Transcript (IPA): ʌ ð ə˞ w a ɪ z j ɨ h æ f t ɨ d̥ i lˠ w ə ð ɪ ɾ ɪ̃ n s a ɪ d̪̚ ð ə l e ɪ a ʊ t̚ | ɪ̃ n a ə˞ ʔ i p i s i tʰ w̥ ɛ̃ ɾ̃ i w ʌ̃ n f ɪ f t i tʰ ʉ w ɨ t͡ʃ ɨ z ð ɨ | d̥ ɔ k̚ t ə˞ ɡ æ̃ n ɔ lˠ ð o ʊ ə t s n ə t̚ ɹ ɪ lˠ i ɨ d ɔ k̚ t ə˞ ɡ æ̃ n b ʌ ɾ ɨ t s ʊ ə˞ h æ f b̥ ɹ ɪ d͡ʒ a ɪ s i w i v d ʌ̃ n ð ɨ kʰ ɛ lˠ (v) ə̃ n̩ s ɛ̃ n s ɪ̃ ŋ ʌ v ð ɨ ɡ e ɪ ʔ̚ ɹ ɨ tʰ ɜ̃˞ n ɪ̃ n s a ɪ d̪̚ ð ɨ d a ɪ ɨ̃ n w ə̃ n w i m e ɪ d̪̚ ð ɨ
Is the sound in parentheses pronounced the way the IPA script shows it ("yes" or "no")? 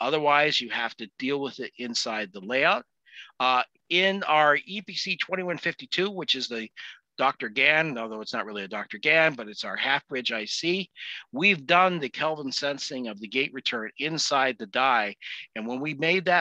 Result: yes